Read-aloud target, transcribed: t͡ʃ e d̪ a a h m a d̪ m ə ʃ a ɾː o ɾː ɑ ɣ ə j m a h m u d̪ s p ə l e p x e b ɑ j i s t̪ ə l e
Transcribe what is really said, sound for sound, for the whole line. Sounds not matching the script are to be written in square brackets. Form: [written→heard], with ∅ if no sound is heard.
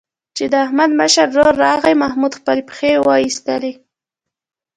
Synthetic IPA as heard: t͡ʃ e d̪ [a→ə] a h m a d̪ m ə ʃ a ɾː o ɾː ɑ ɣ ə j m a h m u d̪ [s→x] p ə l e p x e [b→w] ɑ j i s t̪ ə l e